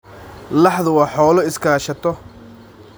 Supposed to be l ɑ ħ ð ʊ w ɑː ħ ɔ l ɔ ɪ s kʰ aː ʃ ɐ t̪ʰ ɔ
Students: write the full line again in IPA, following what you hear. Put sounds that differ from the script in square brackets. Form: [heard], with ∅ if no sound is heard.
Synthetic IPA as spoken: l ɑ ħ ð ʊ w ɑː ħ [ɔː] l ɔ ɪ s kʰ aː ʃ ɐ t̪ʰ ɔ